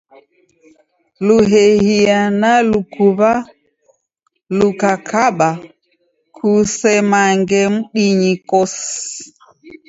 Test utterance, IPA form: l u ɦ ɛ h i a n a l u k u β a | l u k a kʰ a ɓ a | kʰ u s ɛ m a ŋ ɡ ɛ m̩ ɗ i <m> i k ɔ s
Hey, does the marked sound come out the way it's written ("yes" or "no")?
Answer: no